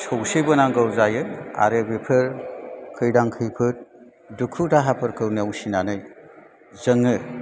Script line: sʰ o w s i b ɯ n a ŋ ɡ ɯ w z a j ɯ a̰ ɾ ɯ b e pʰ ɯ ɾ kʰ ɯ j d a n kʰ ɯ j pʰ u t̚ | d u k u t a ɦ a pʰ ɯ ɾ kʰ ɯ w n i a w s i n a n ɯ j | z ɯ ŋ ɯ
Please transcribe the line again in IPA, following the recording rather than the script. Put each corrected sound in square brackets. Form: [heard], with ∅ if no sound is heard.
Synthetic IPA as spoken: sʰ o w s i b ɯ n a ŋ ɡ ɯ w z a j ɯ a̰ ɾ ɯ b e pʰ ɯ ɾ kʰ ɯ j d a [ŋ] kʰ ɯ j pʰ [ɯ] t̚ | d u [kʰ] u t a ɦ a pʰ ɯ ɾ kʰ ɯ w n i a w s i n a n ɯ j | z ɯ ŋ ɯ